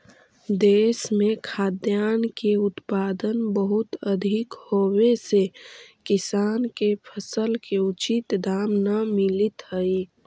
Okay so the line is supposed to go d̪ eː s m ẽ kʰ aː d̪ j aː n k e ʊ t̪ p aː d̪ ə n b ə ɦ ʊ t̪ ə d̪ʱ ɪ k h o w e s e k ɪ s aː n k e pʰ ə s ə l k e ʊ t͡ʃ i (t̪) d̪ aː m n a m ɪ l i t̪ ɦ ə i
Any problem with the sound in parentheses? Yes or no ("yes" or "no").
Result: no